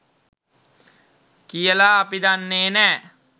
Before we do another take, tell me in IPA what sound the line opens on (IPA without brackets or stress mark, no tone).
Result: k